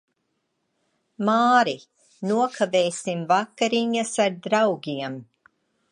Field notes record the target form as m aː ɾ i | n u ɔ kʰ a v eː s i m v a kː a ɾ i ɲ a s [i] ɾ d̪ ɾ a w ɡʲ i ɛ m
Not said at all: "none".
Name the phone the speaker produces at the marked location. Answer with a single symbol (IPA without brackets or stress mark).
a